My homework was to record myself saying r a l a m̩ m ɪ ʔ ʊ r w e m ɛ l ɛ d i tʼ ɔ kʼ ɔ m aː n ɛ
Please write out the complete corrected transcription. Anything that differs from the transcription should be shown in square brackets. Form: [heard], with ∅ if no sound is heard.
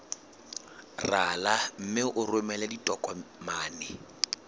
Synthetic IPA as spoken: r a l a m̩ m ɪ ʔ ʊ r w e m ɛ l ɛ d i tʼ ɔ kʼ ɔ m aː n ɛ